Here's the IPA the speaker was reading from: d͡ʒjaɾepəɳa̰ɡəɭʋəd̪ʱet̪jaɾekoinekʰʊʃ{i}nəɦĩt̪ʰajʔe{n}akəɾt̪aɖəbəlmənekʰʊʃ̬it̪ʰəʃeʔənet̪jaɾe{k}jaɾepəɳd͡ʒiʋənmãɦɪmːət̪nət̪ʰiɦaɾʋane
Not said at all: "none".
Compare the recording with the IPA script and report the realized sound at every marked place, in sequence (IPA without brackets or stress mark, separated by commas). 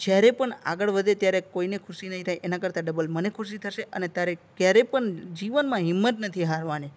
i, n, k